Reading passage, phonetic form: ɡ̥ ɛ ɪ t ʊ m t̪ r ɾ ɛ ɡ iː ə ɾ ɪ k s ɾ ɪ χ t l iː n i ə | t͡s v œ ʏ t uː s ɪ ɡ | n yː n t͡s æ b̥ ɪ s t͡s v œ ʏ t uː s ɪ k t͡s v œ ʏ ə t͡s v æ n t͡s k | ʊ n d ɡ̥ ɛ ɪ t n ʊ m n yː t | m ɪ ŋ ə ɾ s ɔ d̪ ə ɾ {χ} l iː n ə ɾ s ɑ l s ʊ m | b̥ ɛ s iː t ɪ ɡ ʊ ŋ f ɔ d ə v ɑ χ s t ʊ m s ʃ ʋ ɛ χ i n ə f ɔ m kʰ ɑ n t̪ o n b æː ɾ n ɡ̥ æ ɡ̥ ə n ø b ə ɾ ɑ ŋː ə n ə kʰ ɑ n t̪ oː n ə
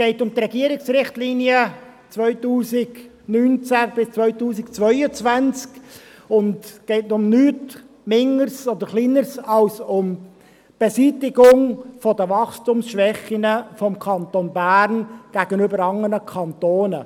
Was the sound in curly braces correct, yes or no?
yes